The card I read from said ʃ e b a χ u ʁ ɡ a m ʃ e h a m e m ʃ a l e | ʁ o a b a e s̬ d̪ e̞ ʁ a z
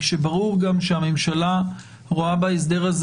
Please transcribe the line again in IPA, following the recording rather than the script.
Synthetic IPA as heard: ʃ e b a ʁ u ʁ ɡ a m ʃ e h a m e m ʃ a l a | ʁ o a b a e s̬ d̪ e̞ ʁ a z